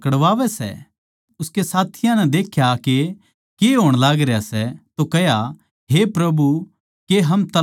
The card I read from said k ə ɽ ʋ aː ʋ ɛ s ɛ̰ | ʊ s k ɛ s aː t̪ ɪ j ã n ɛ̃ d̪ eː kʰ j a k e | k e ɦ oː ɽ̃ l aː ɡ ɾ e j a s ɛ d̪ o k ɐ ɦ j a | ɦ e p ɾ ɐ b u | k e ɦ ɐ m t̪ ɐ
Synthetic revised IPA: k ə ɽ ʋ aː ʋ ɛ s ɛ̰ | ʊ s k e s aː t̪ʰ ɪ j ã n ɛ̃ d̪ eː kʰ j a k e | k e ɦ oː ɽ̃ l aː ɡ ɾ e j a s ɛ t̪ o k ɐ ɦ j a | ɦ e p ɾ ɐ b u | k e ɦ ɐ m t̪ ɐ